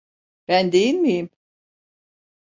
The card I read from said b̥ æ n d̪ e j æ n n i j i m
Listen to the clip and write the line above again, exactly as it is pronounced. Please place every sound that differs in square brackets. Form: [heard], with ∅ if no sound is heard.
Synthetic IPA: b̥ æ n d̪ e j [i] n [m] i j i m